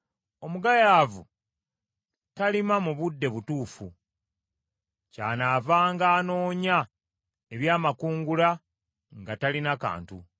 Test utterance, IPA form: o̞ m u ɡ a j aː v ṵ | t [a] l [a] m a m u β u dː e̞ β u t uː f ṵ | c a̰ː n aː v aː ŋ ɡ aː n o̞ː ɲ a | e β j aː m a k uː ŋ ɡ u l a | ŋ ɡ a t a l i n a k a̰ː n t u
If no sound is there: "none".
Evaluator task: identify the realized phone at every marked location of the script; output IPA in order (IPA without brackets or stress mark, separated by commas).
a, i